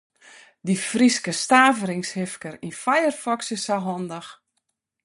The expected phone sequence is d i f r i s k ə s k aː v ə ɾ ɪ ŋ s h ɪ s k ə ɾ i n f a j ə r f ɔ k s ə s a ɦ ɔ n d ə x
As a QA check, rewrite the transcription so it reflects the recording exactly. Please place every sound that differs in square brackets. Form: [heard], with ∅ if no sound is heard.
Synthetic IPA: d i f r i s k ə s [t] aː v ə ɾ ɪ ŋ s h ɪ [f] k ə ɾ i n f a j ə r f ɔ k s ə s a ɦ ɔ n d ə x